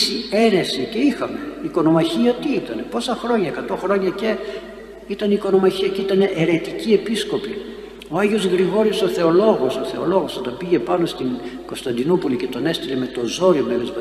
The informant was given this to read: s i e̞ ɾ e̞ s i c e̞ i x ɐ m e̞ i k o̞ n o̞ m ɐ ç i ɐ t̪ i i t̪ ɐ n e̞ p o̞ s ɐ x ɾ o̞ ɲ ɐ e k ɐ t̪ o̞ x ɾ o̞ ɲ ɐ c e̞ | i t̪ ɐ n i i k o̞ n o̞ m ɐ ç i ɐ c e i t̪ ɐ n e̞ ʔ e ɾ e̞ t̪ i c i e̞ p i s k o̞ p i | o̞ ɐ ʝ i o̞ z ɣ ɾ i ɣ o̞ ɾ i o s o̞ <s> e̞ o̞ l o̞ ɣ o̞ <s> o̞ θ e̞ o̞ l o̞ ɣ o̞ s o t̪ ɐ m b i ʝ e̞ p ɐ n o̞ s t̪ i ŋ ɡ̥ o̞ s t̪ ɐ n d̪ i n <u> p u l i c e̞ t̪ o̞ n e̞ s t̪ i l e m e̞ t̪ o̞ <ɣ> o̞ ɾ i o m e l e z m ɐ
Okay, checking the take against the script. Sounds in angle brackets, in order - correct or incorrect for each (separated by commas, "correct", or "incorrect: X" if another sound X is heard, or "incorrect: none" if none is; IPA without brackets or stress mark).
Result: incorrect: θ, correct, correct, incorrect: z